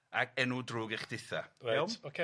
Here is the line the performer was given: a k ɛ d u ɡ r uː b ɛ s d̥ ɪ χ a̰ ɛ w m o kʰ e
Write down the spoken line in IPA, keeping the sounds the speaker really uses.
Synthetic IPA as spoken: a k ɛ n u d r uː ɡ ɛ χ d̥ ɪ θ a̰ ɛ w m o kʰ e